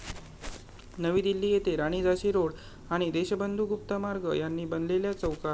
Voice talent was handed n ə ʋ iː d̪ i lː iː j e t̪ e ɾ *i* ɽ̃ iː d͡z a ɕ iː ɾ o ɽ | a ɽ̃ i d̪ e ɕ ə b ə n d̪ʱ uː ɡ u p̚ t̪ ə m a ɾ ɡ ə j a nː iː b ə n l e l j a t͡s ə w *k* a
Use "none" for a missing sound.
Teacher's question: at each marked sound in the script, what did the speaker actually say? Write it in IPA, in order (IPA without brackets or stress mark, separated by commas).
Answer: a, k